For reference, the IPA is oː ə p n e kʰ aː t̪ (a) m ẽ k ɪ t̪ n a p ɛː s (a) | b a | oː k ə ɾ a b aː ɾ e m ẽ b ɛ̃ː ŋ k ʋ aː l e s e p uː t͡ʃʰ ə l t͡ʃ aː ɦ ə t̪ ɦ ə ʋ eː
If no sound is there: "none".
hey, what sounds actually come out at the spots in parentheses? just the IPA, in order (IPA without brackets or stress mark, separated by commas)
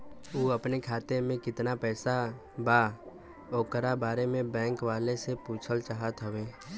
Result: e, a